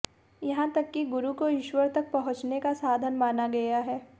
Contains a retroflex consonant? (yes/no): no